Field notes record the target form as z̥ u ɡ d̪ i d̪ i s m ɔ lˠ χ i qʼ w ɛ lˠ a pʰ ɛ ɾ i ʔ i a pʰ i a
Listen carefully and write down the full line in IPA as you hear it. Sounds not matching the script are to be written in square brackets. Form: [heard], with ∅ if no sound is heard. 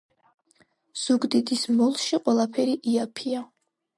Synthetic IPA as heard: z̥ u ɡ d̪ i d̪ i s m ɔ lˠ [ʃ] i qʼ w ɛ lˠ a pʰ ɛ ɾ i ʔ i a pʰ i a